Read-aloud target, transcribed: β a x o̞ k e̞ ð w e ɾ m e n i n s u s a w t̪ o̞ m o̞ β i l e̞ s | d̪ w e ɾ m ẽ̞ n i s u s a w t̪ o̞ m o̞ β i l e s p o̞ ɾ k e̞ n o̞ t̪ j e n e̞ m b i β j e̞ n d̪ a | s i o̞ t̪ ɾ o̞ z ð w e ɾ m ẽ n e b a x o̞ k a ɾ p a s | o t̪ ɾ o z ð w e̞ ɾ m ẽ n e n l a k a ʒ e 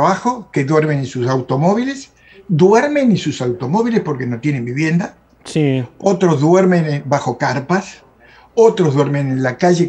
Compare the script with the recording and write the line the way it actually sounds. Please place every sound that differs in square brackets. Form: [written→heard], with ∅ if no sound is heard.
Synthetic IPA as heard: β a x o̞ k e̞ ð w e ɾ m e n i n s u s a w t̪ o̞ m o̞ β i l e̞ s | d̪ w e ɾ m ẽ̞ n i s u s a w t̪ o̞ m o̞ β i l e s p o̞ ɾ k e̞ n o̞ t̪ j e n e̞ m b i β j e̞ n d̪ a | s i o̞ t̪ ɾ o̞ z ð w e ɾ m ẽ n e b a x o̞ k a ɾ p a s | o t̪ ɾ o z ð w e̞ ɾ m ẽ n e n l a k a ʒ e